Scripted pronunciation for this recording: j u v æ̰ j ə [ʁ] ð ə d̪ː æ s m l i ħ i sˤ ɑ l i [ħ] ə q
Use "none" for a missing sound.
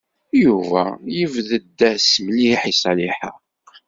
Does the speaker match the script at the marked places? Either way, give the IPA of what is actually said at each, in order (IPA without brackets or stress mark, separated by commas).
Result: v, ħ